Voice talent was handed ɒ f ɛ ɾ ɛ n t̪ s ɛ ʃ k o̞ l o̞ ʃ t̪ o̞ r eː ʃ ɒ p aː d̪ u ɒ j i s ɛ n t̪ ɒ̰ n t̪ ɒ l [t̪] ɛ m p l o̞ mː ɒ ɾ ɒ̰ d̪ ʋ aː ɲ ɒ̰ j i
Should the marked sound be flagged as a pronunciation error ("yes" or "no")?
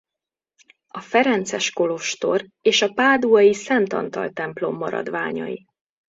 no